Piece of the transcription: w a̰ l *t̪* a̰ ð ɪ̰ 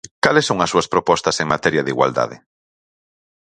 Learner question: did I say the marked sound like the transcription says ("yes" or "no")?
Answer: no